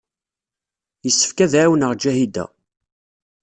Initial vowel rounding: unrounded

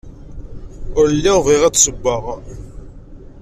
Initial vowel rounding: rounded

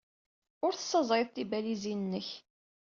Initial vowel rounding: rounded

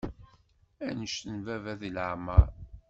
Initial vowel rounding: unrounded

